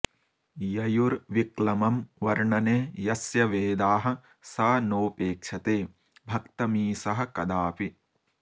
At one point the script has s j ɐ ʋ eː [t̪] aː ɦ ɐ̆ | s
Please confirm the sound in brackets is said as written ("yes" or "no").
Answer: no